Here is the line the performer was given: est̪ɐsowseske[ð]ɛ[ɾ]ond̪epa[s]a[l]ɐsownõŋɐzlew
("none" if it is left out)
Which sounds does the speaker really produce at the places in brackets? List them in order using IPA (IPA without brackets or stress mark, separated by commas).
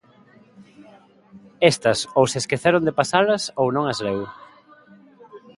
θ, ɾ, s, l